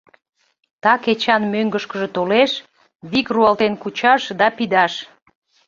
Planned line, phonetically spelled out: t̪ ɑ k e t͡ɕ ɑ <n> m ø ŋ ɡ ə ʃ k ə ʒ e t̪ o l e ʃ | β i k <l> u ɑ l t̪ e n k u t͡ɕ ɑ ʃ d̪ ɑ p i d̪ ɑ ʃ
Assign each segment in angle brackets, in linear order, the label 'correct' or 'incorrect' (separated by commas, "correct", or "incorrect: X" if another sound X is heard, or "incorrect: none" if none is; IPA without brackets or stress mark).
correct, incorrect: r